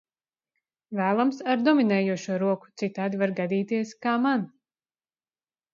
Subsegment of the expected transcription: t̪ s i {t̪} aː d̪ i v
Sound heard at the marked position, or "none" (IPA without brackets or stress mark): t̪